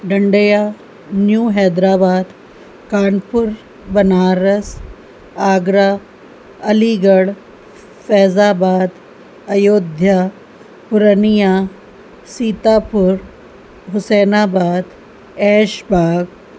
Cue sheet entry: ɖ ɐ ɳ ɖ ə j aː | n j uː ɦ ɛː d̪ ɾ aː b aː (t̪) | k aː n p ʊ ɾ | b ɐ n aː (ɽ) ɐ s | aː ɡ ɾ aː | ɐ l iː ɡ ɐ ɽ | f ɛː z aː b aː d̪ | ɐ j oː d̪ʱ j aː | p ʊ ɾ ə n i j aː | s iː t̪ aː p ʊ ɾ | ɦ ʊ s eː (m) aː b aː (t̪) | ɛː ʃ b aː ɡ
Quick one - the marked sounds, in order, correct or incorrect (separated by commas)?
incorrect, incorrect, incorrect, incorrect